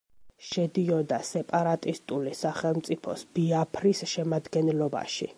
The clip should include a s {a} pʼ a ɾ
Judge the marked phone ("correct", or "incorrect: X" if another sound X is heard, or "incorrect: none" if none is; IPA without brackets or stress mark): incorrect: ɛ